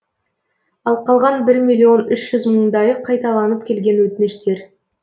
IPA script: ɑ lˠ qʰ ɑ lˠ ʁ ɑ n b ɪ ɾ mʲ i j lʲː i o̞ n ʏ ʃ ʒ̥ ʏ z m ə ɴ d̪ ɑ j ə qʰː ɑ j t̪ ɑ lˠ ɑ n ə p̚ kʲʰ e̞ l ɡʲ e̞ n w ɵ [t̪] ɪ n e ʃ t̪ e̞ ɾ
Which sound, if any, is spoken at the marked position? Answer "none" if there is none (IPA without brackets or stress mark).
t̪